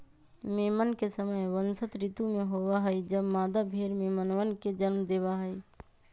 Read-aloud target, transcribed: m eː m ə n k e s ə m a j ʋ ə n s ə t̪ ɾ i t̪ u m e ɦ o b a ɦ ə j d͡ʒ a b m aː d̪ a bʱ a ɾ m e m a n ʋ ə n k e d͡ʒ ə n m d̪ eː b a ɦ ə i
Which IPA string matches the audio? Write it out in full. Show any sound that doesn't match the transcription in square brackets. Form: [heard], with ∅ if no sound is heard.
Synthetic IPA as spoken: m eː m ə n k e s ə m [ə] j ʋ ə n s ə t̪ ɾ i t̪ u m e ɦ o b a ɦ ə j d͡ʒ [ə] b m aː d̪ a bʱ [e] ɾ m e m [ə] n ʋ ə n k e d͡ʒ ə n m d̪ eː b a ɦ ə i

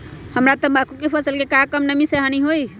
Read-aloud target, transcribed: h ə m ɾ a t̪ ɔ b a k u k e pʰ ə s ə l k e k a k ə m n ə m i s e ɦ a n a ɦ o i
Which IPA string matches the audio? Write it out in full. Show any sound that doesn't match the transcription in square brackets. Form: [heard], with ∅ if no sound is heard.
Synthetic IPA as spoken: h ə m ɾ a t̪ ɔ b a k u k e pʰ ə s ə l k e k a k ə m n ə m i s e ɦ a n [i] ɦ o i

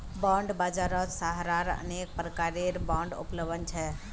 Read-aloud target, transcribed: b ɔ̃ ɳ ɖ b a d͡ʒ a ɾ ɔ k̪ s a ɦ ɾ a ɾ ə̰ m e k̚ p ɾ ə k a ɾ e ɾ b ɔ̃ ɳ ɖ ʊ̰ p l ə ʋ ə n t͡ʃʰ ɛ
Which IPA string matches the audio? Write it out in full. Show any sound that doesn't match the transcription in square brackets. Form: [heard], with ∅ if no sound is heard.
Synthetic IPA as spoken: b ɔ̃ ɳ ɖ b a d͡ʒ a ɾ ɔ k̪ s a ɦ ɾ a ɾ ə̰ [n] e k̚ p ɾ ə k a ɾ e ɾ b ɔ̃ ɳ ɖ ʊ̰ p l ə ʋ ə n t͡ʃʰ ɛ

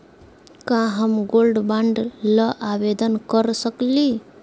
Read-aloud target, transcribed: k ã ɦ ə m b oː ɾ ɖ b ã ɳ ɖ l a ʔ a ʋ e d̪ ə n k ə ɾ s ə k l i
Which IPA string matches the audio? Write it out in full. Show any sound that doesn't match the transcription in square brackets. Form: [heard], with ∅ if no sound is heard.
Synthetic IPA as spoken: k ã ɦ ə m [ɡ] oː [l] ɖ b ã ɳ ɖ l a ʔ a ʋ e d̪ ə n k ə ɾ s ə k l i

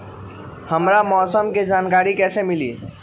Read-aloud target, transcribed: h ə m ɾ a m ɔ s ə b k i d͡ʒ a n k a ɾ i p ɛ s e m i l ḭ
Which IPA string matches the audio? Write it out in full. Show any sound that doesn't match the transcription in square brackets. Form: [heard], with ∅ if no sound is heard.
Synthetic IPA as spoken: h ə m ɾ a m ɔ s ə [m] k [e] d͡ʒ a n k a ɾ i [k] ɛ s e m i l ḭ

